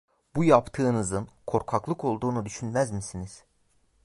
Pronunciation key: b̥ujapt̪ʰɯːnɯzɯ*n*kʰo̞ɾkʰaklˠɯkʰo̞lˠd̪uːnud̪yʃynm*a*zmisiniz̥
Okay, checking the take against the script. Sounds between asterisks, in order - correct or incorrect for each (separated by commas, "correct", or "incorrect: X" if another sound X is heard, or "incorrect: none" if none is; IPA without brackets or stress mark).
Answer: correct, incorrect: æ